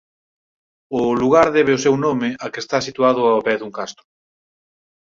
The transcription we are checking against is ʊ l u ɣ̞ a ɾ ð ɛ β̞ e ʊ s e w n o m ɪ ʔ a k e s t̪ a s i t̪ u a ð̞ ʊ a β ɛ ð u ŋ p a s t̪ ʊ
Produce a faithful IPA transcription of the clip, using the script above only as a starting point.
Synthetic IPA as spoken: ʊ l u ɣ̞ a ɾ ð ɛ β̞ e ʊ s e w n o m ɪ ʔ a k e s t̪ a s i t̪ u a ð̞ ʊ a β ɛ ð u ŋ k a s t̪ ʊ

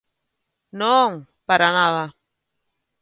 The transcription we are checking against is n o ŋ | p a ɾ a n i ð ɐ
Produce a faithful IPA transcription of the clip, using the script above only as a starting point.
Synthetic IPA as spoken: n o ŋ | p a ɾ a n a ð a

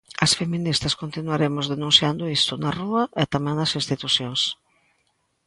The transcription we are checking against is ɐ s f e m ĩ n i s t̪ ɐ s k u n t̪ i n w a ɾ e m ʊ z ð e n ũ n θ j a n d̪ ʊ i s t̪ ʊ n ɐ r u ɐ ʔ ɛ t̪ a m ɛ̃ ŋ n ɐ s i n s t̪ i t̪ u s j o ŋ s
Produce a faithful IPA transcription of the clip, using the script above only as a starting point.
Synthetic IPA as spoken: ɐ s f e m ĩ n i s t̪ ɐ s k o n t̪ i n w a ɾ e m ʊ z ð e n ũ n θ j a n d̪ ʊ i s t̪ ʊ n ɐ r u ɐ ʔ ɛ t̪ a m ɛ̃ ŋ n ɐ s i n s t̪ i t̪ u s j o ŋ s

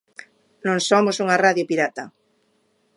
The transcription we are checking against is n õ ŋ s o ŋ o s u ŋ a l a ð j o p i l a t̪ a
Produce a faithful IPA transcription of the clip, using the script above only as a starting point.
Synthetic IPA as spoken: n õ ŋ s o m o s u ŋ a r a ð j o p i ɾ a t̪ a

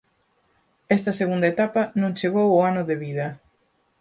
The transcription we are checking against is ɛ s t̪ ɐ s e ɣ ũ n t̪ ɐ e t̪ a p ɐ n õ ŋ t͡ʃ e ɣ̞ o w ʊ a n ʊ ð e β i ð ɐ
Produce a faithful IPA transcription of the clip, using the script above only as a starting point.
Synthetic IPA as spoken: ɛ s t̪ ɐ s e ɣ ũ n d̪ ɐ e t̪ a p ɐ n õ ŋ t͡ʃ e ɣ̞ o w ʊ a n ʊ ð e β i ð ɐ

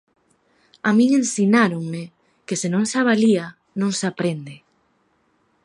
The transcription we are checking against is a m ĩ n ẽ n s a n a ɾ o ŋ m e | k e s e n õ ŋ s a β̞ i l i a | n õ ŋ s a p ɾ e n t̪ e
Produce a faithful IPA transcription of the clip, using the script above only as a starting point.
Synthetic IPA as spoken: a m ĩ ŋ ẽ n s i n a ɾ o ŋ m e | k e s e n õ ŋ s a β̞ a l i a | n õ ŋ s a p ɾ e n d̪ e

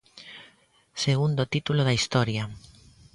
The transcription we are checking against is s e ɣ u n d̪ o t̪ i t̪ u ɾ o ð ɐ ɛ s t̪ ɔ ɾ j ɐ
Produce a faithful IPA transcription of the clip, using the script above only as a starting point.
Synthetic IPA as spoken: s e ɣ u n d̪ o t̪ i t̪ u l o ð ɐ i s t̪ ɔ ɾ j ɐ

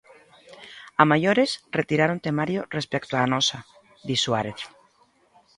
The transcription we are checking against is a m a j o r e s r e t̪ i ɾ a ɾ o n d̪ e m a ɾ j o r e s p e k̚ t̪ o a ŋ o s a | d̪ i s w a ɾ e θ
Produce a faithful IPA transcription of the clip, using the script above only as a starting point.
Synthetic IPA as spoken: a m a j o ɾ e s r e t̪ i ɾ a ɾ o n t̪ e m a ɾ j o r e s p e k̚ t̪ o a n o s a | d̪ i s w a ɾ e θ

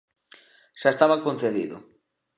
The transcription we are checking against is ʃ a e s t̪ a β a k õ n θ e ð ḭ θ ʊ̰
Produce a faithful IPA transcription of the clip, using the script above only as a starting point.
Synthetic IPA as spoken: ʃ a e s t̪ a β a k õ n θ e ð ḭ ð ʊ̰

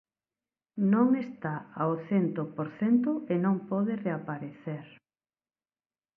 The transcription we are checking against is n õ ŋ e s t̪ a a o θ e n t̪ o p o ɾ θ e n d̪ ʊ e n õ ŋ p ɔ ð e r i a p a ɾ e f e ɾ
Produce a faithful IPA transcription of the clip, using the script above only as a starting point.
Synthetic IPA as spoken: n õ ŋ e s t̪ a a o θ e n t̪ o p o ɾ θ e n t̪ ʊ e n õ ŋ p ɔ ð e r e a p a ɾ e θ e ɾ

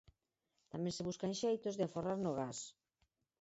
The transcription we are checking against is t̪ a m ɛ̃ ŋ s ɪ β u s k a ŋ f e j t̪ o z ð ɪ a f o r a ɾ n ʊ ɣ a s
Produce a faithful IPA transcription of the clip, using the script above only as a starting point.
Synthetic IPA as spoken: t̪ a m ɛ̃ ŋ s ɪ β u s k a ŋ ʃ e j t̪ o z ð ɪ a f o r a ɾ n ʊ ɣ a s

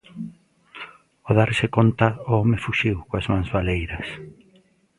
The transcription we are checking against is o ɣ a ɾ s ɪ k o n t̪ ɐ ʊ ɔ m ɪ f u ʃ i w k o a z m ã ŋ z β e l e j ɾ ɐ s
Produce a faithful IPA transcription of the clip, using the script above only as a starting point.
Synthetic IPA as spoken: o ð a ɾ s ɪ k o n t̪ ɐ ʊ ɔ m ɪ f u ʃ i w k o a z m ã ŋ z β a l e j ɾ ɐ s

